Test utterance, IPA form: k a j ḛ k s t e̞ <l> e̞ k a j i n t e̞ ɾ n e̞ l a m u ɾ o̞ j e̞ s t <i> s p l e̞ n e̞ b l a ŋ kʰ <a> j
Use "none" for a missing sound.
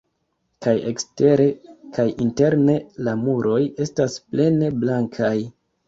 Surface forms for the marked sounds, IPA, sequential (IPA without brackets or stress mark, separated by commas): ɾ, a, a